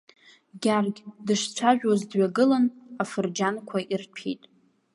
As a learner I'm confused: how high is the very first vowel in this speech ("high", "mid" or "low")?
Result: low